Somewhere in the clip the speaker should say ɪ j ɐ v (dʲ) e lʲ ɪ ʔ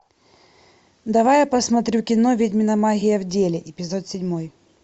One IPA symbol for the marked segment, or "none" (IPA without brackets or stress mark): dʲ